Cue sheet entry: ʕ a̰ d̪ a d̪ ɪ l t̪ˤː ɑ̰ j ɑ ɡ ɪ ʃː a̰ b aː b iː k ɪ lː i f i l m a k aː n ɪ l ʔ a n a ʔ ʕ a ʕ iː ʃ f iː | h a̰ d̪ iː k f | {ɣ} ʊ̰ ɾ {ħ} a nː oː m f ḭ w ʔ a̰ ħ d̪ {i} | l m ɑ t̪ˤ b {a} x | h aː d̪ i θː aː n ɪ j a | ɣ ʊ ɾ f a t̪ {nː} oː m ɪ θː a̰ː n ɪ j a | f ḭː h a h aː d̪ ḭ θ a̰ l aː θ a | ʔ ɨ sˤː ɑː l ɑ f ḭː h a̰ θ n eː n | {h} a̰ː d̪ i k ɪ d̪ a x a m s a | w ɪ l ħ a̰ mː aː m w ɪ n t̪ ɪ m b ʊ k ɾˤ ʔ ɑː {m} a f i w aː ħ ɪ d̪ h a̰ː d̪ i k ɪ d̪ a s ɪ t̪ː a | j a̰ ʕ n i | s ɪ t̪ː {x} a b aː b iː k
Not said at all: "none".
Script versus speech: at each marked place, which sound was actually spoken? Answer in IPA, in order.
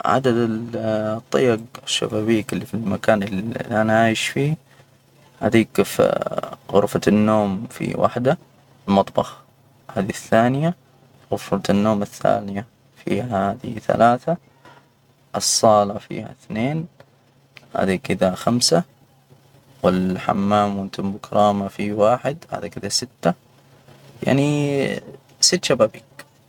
ɣ, f, a, ɑ, nː, h, m, ʃ

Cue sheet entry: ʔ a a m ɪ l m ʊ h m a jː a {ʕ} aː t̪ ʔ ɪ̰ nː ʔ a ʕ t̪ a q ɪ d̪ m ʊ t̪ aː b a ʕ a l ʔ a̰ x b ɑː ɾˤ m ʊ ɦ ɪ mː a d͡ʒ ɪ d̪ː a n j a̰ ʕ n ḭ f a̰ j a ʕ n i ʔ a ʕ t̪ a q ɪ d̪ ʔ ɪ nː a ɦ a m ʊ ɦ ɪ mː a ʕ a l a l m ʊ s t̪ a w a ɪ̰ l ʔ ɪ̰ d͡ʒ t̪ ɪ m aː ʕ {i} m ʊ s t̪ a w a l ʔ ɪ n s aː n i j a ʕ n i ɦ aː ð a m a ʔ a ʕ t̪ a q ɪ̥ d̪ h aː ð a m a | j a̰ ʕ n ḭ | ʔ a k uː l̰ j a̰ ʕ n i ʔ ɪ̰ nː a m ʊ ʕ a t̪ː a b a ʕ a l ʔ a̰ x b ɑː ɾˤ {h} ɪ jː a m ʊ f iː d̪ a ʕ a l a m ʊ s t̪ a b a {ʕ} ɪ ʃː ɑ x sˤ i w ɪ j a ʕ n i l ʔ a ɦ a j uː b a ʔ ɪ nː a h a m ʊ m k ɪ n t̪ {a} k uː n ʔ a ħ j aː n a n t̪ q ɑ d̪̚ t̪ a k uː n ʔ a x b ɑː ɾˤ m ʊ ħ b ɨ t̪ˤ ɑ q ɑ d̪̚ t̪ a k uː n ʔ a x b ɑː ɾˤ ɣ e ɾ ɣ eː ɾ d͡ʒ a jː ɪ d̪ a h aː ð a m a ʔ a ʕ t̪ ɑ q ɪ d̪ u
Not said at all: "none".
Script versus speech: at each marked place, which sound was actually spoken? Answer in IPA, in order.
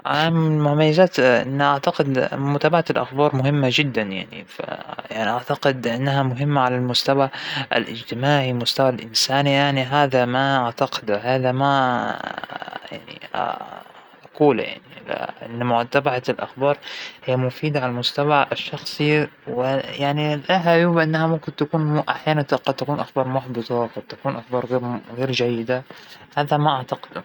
z, i, h, ʕ, a

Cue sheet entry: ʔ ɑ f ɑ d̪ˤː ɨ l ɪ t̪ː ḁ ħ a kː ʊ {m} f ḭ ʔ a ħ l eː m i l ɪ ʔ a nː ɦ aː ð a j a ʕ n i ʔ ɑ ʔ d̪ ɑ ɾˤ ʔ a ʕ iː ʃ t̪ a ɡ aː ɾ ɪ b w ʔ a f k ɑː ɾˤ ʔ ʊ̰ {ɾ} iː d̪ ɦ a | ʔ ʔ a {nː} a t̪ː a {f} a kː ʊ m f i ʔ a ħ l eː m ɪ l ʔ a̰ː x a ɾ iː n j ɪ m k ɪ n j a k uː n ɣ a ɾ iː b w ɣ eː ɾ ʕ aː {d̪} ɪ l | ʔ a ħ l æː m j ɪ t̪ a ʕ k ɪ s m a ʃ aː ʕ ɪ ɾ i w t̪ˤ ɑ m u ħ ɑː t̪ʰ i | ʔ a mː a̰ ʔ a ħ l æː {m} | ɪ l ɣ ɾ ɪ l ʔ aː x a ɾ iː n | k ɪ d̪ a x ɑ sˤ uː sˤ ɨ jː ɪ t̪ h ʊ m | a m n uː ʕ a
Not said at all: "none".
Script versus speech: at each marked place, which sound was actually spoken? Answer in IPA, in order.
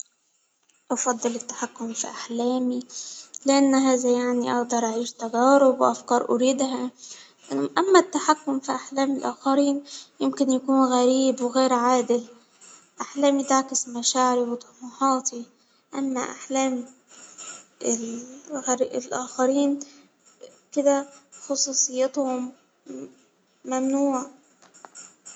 m, ɾ, mː, ħ, d̪, m

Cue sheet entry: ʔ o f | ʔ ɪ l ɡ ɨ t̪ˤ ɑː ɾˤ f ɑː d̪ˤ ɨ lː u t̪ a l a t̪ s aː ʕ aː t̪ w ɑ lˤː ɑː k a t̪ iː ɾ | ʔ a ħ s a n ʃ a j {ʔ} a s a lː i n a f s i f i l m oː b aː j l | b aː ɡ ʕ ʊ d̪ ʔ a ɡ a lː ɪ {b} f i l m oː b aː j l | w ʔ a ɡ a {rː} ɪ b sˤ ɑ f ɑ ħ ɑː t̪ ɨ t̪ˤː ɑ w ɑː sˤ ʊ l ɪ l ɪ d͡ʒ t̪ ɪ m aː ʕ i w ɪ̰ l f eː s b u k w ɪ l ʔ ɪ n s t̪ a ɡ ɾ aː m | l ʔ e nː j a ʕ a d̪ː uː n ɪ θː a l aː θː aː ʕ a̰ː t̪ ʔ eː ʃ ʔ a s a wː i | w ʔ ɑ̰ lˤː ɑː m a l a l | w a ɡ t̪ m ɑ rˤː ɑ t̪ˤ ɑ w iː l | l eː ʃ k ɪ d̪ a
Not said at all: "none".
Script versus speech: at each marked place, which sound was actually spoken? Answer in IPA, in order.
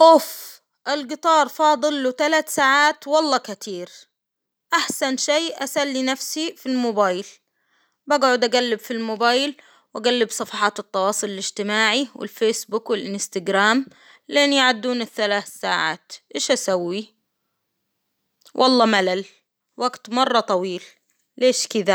ʔ, b, lː

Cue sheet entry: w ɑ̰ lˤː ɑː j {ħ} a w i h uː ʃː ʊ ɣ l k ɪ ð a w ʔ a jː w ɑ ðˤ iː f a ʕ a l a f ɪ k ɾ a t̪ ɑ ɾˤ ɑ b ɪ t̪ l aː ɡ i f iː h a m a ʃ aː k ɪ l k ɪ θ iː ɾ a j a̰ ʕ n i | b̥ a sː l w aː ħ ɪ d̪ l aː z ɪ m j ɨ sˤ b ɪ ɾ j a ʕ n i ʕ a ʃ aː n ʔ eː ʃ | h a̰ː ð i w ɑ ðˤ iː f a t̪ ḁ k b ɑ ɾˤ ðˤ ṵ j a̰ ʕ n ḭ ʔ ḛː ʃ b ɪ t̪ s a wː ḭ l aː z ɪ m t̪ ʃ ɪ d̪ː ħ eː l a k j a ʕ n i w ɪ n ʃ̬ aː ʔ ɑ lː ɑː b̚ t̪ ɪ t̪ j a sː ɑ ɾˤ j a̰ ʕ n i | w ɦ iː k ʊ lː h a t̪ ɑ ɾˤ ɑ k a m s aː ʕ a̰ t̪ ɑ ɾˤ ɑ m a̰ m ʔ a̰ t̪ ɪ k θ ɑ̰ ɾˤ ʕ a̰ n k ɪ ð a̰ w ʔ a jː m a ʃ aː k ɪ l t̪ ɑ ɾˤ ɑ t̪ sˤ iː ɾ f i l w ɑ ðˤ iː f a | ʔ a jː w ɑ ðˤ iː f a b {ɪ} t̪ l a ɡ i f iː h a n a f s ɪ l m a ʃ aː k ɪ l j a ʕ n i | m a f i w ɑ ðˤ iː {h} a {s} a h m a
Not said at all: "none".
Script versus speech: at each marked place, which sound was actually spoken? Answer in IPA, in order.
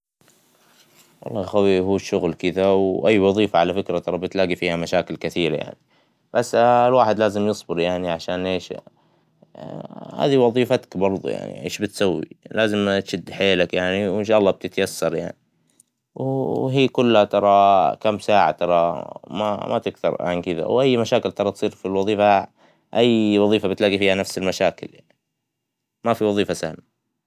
x, ɪ, f, s

